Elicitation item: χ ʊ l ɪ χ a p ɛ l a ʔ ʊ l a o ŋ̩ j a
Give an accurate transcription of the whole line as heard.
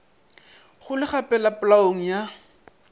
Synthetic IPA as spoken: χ ʊ l ɪ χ a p ɛ l a p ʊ l a o ŋ̩ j a